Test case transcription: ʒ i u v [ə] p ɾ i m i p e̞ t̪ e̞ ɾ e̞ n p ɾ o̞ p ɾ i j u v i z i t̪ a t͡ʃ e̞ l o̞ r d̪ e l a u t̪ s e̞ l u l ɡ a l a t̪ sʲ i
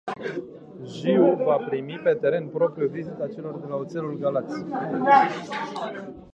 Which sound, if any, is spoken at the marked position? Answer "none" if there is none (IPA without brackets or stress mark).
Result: a